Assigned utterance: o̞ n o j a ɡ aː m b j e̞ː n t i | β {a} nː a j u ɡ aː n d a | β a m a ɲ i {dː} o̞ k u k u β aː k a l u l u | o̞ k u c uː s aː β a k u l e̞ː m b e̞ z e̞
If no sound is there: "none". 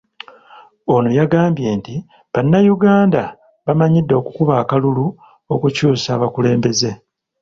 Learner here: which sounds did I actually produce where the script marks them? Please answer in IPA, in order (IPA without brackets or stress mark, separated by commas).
a, dː